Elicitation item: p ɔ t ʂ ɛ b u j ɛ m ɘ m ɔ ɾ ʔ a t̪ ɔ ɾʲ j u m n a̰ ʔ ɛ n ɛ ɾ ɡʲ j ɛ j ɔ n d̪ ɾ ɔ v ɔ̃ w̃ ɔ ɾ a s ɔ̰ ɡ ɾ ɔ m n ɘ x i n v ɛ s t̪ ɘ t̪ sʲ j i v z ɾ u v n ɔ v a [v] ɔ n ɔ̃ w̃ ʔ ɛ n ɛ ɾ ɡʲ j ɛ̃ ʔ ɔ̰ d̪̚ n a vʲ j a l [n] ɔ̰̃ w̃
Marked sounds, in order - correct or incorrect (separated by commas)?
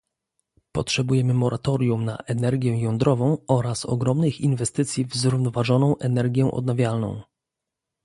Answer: incorrect, correct